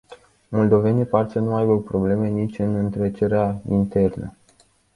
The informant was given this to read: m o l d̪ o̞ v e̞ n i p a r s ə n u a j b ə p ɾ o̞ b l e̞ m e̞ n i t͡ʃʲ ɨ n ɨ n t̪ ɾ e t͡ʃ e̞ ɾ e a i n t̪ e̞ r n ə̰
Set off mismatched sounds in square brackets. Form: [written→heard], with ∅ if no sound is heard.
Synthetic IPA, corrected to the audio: m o l d̪ o̞ v e̞ n i p a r s ə n u a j b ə p ɾ o̞ b l e̞ m e̞ n i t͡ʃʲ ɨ n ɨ n t̪ ɾ e t͡ʃ e̞ ɾ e a i n t̪ e̞ r n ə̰